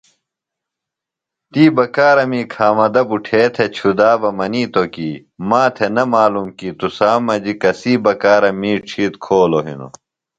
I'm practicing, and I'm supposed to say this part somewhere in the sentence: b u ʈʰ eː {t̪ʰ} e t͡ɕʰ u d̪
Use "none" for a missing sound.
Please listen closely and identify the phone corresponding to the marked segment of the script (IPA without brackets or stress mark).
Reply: t̪ʰ